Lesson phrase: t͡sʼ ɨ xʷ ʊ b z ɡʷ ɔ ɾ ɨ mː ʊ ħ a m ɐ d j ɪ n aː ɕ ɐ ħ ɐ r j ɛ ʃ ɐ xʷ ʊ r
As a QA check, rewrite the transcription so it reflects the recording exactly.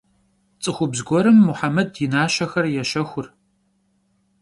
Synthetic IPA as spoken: t͡sʼ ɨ xʷ ʊ b z ɡʷ ɔ ɾ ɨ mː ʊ ħ a m ɐ d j ɪ n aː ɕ ɐ x ɐ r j ɛ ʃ ɐ xʷ ʊ r